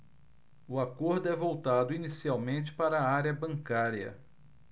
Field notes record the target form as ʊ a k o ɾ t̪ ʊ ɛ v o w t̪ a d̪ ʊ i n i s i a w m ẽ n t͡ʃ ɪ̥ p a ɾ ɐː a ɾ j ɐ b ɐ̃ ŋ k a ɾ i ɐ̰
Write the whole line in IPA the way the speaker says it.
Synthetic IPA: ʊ a k o ɾ d̪ ʊ ɛ v o w t̪ a d̪ ʊ i n i s i a w m ẽ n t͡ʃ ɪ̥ p a ɾ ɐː a ɾ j ɐ b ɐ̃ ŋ k a ɾ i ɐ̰